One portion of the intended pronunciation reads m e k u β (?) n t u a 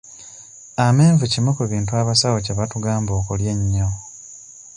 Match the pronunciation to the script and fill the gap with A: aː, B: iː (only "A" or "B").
B